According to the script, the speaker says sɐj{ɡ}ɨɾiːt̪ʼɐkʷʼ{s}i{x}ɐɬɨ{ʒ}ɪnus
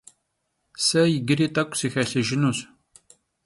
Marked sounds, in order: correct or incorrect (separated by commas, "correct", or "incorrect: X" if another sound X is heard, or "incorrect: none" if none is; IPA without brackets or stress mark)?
correct, correct, correct, correct